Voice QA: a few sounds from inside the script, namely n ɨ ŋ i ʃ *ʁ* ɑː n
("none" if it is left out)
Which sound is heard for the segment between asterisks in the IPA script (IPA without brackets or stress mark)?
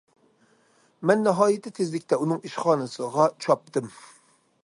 χ